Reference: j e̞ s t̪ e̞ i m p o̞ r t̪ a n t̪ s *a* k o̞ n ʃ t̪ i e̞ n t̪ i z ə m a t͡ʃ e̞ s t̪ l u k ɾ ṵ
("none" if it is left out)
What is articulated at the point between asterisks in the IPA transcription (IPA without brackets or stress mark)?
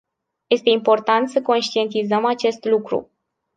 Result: ə